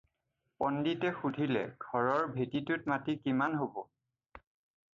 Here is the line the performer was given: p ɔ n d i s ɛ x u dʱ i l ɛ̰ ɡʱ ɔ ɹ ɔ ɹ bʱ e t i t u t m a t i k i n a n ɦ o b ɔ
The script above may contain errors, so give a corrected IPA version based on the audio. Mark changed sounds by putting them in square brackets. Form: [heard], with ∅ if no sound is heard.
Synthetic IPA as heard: p ɔ n d i [t] ɛ x u dʱ i l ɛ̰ ɡʱ ɔ ɹ ɔ ɹ bʱ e t i t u t m a t i k i [m] a n ɦ o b ɔ